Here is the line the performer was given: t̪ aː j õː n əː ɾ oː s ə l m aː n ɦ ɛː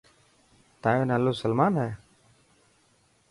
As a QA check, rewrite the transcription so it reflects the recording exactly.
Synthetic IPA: t̪ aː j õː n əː l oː s ə l m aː n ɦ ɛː